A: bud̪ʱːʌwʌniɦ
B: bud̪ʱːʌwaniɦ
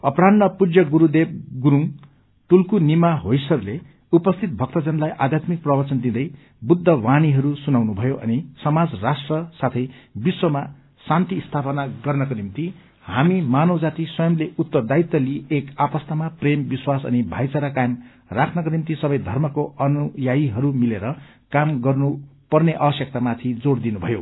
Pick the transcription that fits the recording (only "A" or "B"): B